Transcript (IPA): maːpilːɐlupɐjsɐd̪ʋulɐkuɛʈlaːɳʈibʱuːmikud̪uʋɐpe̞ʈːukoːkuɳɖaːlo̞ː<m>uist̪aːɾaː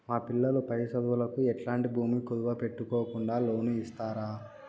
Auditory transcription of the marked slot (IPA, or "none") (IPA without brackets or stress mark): n